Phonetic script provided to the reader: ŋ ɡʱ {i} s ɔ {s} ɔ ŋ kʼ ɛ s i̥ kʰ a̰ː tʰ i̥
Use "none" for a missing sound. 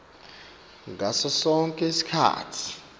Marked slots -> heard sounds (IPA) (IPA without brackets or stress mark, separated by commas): a, s